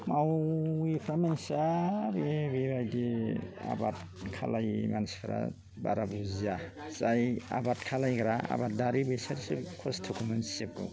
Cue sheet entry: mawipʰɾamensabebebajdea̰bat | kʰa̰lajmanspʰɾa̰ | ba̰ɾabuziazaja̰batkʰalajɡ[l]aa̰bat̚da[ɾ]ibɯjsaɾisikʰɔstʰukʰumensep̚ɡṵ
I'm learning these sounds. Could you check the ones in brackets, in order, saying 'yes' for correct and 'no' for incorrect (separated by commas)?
no, yes